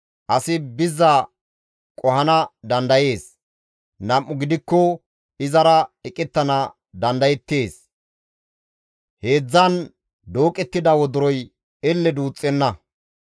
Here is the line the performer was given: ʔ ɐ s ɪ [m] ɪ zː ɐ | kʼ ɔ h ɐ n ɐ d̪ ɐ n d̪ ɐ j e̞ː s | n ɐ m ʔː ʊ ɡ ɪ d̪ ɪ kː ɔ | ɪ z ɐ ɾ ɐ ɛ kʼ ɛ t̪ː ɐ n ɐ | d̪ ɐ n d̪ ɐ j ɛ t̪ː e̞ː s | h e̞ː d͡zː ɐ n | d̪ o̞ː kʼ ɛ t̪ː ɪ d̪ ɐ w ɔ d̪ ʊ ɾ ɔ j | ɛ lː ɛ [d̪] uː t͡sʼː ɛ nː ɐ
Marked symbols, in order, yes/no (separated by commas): no, yes